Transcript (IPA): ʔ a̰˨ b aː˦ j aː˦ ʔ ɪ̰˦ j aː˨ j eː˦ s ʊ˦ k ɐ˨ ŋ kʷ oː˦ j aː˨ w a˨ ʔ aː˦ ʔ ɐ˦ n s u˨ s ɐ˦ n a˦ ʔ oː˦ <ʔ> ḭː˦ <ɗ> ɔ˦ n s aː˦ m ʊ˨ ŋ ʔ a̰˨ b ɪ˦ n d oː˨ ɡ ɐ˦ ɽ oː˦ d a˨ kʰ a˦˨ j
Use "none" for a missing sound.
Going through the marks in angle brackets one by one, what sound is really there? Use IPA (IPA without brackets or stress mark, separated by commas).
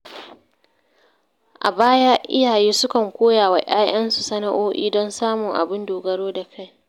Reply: ʔ, d